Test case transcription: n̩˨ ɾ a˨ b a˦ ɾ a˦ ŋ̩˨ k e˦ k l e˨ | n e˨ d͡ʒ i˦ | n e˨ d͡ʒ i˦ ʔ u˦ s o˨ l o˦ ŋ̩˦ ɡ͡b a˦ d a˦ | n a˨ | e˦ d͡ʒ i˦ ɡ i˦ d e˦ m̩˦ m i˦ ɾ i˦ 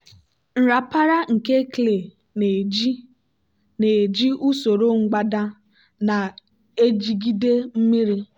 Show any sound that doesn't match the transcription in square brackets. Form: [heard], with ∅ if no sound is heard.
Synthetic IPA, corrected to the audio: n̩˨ ɾ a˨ [p] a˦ ɾ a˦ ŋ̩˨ k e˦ k l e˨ | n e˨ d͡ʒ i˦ | n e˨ d͡ʒ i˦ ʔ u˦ s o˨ [ɾ] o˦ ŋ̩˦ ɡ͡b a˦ d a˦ | n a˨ | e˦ d͡ʒ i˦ ɡ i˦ d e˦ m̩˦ m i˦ ɾ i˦

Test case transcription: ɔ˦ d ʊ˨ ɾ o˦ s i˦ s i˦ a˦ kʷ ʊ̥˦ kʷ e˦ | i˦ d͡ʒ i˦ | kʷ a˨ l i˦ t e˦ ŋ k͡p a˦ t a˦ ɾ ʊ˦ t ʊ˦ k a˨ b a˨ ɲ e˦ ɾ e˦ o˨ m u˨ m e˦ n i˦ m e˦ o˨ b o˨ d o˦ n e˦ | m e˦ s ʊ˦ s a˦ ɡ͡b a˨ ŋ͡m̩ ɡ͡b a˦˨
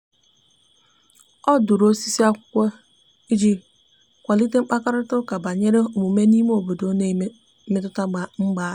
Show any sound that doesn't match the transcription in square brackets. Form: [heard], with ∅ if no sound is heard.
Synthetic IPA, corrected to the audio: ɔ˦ d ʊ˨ ɾ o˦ s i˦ s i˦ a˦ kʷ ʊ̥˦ kʷ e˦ | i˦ d͡ʒ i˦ | kʷ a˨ l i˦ t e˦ [ŋ͡m̩] k͡p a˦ [k] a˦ ɾ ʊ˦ t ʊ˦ k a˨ b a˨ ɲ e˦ ɾ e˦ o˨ m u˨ m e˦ n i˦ m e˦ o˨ b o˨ d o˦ n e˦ | m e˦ [t] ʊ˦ [t] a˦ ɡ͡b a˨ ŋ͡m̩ ɡ͡b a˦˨

